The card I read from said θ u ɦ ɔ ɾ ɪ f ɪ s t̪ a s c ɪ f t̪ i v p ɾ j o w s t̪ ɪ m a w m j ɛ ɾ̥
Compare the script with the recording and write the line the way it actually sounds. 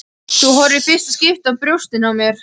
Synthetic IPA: θ u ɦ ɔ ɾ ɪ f ɪ s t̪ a s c ɪ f t̪ a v p ɾ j o w s t̪ ɪ n a w m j ɛ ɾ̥